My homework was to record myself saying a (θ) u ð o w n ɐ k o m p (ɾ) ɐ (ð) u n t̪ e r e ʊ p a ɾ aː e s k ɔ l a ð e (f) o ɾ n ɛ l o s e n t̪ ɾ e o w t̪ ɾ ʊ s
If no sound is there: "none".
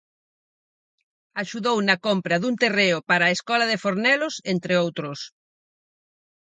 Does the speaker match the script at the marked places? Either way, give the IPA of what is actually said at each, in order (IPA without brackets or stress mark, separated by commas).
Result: ʃ, ɾ, ð, f